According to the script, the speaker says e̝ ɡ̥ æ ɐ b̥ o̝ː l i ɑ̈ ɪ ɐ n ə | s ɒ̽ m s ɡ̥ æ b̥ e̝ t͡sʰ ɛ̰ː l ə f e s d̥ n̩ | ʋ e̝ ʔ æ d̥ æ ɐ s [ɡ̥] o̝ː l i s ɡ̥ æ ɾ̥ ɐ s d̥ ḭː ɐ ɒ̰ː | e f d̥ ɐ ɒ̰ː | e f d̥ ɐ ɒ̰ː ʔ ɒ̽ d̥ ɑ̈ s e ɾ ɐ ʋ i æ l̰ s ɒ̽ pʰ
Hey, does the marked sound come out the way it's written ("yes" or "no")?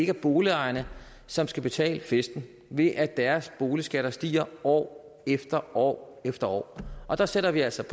no